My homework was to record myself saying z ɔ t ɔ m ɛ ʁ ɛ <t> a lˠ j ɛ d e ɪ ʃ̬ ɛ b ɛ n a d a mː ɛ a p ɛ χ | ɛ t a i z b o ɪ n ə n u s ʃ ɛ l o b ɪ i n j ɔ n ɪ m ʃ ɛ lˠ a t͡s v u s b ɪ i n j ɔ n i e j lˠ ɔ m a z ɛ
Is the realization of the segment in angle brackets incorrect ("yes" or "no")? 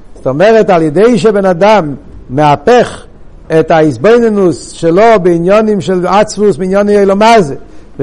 no